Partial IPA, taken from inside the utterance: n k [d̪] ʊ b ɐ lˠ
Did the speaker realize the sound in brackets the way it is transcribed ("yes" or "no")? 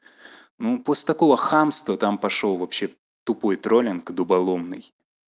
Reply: yes